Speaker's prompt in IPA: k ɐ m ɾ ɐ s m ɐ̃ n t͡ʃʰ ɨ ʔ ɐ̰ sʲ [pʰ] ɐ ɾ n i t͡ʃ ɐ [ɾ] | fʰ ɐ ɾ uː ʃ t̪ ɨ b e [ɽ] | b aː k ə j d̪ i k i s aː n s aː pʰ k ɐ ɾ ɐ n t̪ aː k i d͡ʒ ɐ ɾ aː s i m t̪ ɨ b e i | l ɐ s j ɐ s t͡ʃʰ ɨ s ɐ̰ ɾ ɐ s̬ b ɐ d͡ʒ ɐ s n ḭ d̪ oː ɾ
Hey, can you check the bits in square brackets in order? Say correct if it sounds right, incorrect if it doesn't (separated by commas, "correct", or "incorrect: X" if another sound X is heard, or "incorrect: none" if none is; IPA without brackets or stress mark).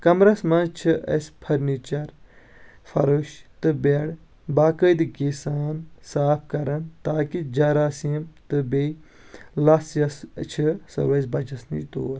correct, correct, correct